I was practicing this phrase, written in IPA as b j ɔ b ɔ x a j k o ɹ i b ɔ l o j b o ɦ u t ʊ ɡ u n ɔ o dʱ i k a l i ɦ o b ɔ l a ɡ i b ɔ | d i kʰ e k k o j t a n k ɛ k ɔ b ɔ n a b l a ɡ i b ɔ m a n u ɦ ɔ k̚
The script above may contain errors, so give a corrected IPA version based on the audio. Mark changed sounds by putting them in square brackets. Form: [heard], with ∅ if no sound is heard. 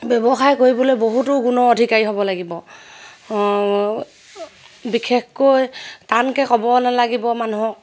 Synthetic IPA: b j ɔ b ɔ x a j k o ɹ i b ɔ l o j b o ɦ u t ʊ ɡ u n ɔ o dʱ i k a [ɹ] i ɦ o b ɔ l a ɡ i b ɔ | [b] i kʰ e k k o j t a n k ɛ k ɔ b ɔ n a [∅] l a ɡ i b ɔ m a n u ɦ ɔ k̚